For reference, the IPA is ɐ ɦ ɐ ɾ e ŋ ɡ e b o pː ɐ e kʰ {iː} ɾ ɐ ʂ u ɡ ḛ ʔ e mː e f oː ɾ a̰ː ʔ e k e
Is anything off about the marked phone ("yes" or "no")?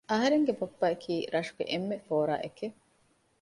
no